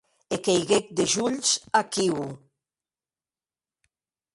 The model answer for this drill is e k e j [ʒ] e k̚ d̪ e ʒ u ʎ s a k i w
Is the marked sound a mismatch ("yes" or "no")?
yes